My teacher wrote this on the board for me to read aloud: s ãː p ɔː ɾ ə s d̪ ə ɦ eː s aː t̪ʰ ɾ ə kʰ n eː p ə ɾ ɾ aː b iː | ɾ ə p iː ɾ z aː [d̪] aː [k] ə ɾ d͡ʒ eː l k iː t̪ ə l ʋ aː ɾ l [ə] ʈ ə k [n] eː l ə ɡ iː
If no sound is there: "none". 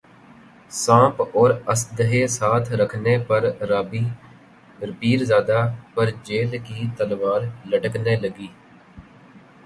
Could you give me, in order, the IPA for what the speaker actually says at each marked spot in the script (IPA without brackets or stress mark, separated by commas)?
d̪, p, ə, n